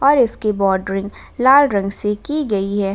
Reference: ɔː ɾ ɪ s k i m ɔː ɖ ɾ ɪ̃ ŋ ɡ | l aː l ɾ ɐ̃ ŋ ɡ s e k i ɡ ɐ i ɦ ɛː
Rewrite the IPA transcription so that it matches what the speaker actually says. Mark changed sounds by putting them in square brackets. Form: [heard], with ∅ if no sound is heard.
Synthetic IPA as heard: ɔː ɾ ɪ s k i [b] ɔː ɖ ɾ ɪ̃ ŋ ɡ | l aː l ɾ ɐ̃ ŋ ɡ s e k i ɡ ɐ i ɦ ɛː